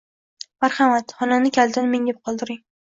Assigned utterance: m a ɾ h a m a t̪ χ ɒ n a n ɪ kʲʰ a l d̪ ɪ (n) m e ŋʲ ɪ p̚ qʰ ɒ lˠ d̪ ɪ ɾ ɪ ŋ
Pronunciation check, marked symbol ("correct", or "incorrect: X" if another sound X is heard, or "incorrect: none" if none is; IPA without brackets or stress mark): correct